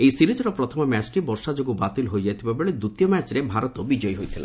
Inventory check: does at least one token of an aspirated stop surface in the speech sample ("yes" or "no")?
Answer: yes